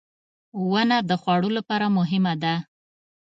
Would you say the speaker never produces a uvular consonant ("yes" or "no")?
yes